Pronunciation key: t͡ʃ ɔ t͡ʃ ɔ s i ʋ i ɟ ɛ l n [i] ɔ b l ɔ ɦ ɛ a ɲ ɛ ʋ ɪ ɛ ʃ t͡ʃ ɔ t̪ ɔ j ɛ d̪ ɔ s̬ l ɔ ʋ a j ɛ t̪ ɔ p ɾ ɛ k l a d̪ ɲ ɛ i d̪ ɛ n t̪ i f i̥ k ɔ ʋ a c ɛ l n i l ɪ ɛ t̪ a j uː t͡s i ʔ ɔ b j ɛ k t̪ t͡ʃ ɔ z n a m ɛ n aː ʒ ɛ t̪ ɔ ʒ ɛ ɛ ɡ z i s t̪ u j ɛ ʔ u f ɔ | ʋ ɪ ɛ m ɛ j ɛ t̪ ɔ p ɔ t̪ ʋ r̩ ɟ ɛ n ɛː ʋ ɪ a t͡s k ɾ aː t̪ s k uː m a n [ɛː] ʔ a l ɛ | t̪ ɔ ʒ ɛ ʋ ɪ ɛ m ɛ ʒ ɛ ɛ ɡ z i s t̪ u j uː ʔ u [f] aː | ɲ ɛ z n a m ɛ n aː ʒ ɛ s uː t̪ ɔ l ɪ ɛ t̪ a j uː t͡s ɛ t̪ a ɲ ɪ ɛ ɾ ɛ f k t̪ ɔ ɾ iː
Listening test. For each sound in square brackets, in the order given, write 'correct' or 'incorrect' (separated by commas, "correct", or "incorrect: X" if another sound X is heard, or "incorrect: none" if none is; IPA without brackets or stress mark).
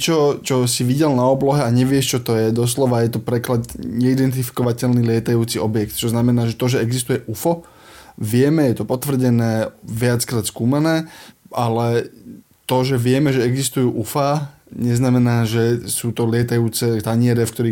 incorrect: a, correct, correct